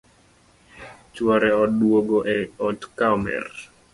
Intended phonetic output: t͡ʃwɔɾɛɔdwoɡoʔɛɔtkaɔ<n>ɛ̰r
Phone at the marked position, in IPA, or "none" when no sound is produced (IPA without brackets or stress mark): m